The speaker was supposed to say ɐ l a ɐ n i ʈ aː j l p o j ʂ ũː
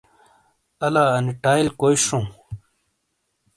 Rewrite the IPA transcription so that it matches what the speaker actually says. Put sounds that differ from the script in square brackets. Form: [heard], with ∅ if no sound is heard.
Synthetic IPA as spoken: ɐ l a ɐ n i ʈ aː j l [k] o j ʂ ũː